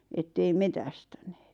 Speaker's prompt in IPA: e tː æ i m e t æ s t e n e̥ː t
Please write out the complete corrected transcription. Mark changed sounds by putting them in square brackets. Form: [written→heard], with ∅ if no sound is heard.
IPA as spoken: e tː [æ→e] i m e t æ s t [e→æ] n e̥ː t